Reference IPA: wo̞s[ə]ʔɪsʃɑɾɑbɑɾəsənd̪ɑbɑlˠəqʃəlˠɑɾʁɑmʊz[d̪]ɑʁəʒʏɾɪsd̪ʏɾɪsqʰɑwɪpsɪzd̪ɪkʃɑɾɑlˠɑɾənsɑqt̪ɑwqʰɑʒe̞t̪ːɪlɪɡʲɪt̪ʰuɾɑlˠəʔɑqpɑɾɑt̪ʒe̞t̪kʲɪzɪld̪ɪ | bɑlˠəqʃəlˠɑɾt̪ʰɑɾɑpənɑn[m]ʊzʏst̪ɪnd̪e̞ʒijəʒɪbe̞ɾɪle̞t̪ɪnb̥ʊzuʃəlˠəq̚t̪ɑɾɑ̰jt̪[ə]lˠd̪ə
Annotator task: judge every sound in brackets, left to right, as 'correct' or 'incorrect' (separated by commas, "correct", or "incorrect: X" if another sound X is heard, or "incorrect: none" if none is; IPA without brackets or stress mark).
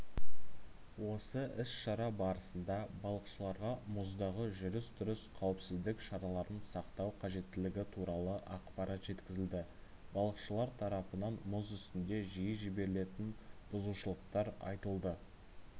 correct, correct, correct, correct